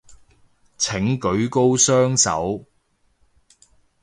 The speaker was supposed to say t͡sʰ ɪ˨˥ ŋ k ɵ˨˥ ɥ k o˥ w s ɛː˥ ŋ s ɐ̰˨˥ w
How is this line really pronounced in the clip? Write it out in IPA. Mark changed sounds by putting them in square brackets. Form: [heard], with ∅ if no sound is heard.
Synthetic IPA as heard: t͡sʰ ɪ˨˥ ŋ k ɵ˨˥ ɥ k o˥ w s [œː˥] ŋ s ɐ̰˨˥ w

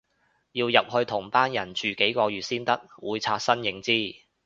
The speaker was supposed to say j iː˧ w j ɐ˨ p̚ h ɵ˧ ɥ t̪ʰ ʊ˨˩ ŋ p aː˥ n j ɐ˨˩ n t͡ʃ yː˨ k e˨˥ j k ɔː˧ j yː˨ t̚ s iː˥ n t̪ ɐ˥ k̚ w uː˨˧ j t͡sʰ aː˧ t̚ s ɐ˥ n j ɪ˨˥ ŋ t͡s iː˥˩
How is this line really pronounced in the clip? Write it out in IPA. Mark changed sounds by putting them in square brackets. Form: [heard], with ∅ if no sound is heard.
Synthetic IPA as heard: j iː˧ w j ɐ˨ p̚ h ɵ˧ ɥ t̪ʰ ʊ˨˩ ŋ p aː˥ n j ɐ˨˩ n t͡ʃ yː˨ k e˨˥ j k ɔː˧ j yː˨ t̚ s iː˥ n t̪ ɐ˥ k̚ w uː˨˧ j t͡sʰ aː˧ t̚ s ɐ˥ n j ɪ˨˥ ŋ t͡s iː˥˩

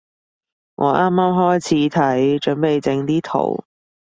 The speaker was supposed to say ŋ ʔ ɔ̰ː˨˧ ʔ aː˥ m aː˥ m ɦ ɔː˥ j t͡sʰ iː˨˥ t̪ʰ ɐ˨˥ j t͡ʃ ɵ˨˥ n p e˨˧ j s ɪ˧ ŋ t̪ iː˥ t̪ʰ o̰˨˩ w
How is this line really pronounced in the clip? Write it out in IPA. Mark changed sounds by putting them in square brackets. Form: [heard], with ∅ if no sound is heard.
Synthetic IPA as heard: ŋ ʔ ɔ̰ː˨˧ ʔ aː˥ m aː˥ m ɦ ɔː˥ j t͡sʰ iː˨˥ t̪ʰ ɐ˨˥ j t͡ʃ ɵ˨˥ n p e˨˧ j [t͡s] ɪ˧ ŋ t̪ iː˥ t̪ʰ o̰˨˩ w

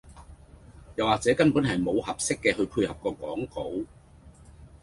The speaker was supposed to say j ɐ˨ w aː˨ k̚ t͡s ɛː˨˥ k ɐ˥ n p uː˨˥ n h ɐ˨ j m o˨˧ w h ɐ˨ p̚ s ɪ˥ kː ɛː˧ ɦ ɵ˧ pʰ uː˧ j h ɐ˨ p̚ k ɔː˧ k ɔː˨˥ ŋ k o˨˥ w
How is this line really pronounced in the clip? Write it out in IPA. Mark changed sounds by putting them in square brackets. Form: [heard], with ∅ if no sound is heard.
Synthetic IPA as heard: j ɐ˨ w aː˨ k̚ t͡s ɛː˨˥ k ɐ˥ n p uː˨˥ n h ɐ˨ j m o˨˧ w h ɐ˨ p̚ s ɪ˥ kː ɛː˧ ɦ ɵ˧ pʰ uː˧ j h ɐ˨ p̚ k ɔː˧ k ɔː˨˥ ŋ k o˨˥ w

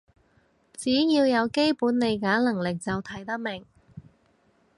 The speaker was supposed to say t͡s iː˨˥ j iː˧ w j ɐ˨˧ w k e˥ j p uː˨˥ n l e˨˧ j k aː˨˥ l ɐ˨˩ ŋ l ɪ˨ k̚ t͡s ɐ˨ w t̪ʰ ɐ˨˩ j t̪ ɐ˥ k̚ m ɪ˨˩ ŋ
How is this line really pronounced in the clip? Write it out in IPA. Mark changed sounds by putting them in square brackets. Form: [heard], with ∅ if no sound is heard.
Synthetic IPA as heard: t͡s iː˨˥ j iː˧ w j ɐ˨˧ w k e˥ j p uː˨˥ n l e˨˧ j k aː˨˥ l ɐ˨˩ ŋ l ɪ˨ k̚ t͡s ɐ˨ w t̪ʰ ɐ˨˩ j t̪ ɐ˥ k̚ m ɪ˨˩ ŋ

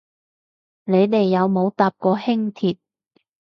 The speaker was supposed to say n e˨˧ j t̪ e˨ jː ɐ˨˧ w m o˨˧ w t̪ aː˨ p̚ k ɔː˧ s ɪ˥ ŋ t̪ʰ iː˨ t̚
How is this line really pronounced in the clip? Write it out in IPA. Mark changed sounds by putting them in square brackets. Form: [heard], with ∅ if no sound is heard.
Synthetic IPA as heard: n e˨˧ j t̪ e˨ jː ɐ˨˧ w m o˨˧ w t̪ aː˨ p̚ k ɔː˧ [h] ɪ˥ ŋ t̪ʰ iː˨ t̚

